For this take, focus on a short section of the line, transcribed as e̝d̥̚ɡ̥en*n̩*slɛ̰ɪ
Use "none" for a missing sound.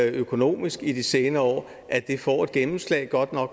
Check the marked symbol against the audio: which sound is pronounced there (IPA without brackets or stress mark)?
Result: m̩